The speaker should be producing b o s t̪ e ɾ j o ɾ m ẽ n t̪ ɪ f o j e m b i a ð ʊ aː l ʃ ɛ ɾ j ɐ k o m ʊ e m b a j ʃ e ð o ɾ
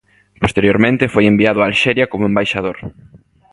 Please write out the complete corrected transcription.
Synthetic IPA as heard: p o s t̪ e ɾ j o ɾ m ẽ n t̪ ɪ f o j e m b i a ð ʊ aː l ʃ ɛ ɾ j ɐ k o m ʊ e m b a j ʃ a ð o ɾ